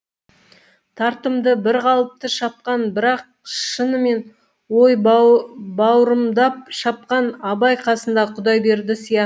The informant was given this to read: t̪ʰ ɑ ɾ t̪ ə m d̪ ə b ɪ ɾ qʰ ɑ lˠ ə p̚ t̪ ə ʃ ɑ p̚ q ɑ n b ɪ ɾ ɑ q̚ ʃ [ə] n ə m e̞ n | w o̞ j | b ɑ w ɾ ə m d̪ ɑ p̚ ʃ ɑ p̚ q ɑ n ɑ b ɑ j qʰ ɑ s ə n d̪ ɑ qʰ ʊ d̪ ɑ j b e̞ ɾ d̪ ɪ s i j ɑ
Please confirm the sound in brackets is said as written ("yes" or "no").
yes